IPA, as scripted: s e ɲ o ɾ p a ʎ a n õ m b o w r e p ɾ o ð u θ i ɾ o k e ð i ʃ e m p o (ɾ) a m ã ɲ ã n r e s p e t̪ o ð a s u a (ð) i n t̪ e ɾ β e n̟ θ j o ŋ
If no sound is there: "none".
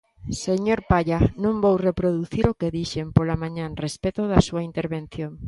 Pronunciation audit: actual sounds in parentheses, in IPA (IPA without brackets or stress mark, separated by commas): l, none